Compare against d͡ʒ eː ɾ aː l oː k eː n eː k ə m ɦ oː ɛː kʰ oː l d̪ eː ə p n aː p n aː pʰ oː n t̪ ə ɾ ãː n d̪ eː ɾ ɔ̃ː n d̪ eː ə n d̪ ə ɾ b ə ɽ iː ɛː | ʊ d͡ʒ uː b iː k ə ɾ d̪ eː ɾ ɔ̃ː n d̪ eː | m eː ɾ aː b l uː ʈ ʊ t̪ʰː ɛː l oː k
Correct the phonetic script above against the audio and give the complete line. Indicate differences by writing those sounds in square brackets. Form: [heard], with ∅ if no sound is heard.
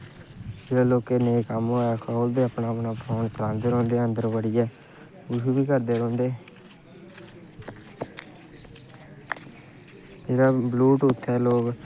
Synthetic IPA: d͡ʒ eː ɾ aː l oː k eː n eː k ə m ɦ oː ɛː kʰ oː l d̪ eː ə p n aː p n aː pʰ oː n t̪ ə ɾ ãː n d̪ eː ɾ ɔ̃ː n d̪ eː ə n d̪ ə ɾ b ə ɽ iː ɛː | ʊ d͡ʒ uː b iː k ə ɾ d̪ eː ɾ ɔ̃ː n d̪ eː | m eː ɾ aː b l uː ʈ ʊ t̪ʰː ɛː l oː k